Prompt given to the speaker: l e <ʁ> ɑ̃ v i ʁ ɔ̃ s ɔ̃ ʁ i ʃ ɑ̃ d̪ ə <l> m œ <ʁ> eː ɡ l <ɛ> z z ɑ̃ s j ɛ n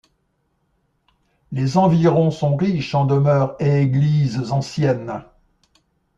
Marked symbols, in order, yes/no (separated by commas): no, no, yes, no